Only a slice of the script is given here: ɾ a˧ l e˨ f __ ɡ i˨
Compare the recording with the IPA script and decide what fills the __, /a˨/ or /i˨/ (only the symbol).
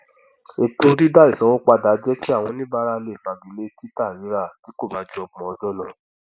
a˨